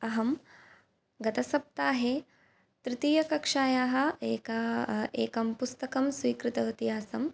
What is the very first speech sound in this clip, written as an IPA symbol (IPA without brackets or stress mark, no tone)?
ɐ